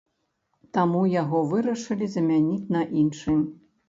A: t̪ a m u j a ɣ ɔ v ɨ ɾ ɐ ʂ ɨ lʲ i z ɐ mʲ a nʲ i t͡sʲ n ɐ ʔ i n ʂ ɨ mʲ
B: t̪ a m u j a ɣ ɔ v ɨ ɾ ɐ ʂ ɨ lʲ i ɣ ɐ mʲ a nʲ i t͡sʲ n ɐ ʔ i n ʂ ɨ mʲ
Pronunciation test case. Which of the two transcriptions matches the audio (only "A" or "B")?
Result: A